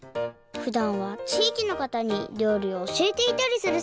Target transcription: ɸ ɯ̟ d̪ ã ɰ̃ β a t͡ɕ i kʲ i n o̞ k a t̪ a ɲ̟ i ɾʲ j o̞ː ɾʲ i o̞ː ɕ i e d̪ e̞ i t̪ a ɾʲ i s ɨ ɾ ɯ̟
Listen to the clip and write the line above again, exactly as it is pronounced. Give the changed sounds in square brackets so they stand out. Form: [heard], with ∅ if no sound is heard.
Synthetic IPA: ɸ ɯ̟ d̪ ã ɰ̃ β a t͡ɕ [iː] kʲ i n o̞ k a t̪ a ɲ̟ i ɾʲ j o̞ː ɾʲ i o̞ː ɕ i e [t̪] e̞ i t̪ a ɾʲ i s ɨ ɾ ɯ̟